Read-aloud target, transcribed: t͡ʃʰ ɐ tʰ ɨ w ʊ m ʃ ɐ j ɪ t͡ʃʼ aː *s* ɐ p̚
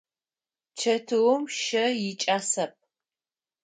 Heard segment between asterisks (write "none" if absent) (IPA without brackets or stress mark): s